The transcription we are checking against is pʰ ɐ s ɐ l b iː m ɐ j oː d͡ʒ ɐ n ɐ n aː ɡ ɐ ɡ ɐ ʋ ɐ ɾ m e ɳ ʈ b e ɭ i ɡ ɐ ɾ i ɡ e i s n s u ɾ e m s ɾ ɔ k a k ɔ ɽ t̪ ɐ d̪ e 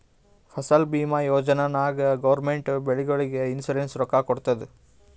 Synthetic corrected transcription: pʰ ɐ s ɐ l b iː m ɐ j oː d͡ʒ ɐ n ɐ n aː ɡ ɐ ɡ ɐ ʋ ɐ ɾ m e ɳ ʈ b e ɭ i ɡ ɐ ɭ i ɡ e i n s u ɾ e n s ɾ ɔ k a k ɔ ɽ t̪ ɐ d̪ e